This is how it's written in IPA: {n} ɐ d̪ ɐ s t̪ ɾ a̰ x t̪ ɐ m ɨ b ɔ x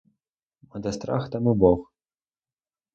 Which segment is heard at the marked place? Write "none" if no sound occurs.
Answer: m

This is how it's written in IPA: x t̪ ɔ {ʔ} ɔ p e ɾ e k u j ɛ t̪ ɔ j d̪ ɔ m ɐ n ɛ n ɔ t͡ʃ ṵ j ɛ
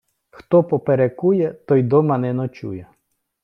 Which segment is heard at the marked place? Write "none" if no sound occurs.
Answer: p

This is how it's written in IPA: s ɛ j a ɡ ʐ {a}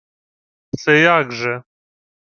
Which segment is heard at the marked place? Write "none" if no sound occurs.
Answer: ɛ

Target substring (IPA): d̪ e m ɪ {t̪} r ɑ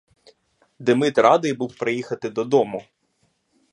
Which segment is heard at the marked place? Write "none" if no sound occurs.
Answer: t̪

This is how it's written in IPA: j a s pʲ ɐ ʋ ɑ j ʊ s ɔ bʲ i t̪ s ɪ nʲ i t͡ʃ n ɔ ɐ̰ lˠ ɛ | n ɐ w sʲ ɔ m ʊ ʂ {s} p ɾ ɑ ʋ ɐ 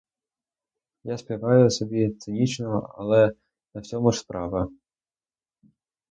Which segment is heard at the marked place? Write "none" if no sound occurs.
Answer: s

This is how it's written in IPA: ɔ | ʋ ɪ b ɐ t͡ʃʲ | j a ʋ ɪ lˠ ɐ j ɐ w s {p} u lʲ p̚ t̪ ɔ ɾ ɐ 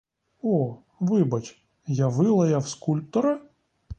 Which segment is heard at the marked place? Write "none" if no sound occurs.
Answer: k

